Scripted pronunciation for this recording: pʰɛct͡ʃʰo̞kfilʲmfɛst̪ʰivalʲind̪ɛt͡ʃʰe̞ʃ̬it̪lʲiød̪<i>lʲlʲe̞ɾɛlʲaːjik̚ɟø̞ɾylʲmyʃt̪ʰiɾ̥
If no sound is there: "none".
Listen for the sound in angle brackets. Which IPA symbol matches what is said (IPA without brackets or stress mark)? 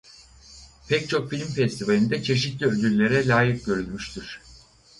y